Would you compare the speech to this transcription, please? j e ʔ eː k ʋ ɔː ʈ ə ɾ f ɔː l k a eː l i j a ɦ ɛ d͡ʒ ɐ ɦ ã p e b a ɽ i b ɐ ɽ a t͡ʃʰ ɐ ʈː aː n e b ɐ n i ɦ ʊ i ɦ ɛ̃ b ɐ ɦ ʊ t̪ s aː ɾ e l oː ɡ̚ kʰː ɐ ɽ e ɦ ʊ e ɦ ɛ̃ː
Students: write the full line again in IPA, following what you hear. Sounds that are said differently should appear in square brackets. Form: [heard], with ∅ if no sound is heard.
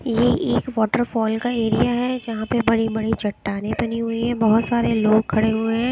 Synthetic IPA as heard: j e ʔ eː k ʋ ɔː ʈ ə ɾ f ɔː l k a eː [ɾ] i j a ɦ ɛ d͡ʒ ɐ ɦ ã p e b [ɐ] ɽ i b ɐ ɽ [i] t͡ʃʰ ɐ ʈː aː n e b ɐ n i ɦ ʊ i ɦ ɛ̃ b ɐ ɦ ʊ t̪ s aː ɾ e l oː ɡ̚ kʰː ɐ ɽ e ɦ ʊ e ɦ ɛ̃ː